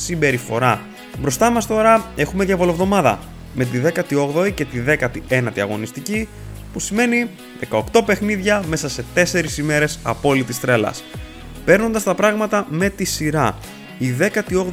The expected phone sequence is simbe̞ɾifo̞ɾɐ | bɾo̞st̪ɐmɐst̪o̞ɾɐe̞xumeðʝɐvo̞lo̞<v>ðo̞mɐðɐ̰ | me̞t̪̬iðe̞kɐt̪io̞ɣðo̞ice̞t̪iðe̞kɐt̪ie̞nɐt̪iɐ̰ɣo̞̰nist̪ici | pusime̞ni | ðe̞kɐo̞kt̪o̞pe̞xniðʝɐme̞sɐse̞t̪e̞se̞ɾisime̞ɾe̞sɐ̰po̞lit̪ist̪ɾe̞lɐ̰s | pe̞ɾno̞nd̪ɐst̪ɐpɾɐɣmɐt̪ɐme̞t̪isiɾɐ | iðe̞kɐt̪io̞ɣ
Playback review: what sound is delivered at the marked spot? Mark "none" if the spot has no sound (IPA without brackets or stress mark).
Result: v